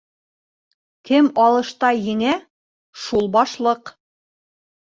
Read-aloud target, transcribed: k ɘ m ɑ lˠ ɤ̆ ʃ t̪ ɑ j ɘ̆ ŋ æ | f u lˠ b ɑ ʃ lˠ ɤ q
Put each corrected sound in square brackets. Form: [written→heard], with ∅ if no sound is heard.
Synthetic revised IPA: k ɘ m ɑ lˠ ɤ̆ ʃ t̪ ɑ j ɘ̆ ŋ æ | [f→ʃ] u lˠ b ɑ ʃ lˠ ɤ q